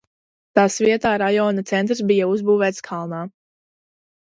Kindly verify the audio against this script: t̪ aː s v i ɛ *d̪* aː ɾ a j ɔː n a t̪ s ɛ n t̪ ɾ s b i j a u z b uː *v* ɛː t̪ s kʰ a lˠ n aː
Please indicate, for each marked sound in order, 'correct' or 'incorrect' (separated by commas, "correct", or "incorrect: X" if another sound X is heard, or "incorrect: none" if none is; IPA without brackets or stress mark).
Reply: incorrect: t̪, correct